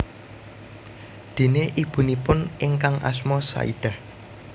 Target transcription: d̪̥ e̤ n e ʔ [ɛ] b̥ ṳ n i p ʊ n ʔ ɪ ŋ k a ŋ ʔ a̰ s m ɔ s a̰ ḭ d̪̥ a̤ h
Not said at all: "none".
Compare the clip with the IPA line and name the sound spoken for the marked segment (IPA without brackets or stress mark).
i